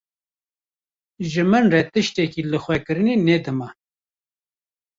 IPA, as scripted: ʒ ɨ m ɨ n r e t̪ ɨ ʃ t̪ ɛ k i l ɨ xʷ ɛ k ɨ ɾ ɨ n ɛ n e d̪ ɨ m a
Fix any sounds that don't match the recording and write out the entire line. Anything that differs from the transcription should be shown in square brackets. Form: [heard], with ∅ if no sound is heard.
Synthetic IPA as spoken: ʒ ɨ m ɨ n r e t̪ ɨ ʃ t̪ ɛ k i l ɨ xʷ ɛ k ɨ ɾ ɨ n [e] n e d̪ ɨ m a